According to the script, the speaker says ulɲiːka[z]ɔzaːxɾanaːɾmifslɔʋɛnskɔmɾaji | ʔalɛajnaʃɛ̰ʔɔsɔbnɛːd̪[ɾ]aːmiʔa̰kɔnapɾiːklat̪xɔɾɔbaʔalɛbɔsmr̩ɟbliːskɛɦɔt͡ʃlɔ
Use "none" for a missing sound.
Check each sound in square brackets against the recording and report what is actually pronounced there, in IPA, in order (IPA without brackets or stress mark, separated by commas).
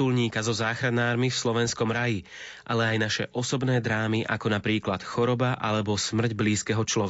z, ɾ